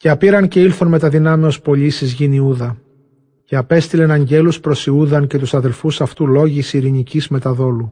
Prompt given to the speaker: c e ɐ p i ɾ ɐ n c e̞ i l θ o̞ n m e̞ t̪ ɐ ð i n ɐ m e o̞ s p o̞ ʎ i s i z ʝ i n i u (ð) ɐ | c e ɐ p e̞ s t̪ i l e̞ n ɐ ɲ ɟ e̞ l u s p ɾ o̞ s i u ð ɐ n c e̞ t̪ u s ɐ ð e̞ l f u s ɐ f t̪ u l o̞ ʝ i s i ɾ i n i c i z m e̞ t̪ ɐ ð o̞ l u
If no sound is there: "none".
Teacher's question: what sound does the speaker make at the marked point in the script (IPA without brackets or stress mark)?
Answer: ð